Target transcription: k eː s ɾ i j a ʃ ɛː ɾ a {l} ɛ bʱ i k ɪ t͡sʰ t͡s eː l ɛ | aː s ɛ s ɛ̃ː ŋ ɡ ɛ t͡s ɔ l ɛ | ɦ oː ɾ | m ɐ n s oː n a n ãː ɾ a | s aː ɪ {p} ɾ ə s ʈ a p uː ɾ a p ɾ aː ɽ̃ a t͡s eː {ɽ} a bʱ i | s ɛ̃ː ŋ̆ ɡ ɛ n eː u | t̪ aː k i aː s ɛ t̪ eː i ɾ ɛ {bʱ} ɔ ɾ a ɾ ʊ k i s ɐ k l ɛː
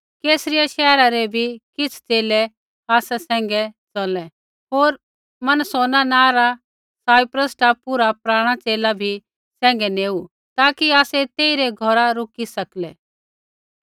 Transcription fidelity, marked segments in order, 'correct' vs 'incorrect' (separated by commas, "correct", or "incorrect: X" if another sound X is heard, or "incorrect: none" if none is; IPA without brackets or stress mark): incorrect: ɾ, correct, incorrect: l, incorrect: ɡʱ